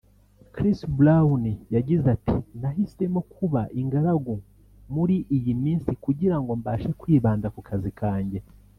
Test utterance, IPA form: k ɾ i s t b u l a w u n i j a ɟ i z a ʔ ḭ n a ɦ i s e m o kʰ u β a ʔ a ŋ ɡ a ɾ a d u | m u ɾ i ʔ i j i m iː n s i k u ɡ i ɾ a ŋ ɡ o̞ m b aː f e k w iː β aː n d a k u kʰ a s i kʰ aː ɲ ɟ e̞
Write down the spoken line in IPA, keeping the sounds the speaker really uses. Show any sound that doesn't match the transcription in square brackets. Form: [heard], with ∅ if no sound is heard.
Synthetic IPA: k ɾ i s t b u l a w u n i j a ɟ i z a [t] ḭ n a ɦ i s e m o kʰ u β a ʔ [i] ŋ ɡ a ɾ a [ɡ] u | m u ɾ i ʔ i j i m iː n s i k u [ɟ] i ɾ a ŋ ɡ o̞ m b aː [ʃ] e k w iː β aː n d a k u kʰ a [z] i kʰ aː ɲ ɟ e̞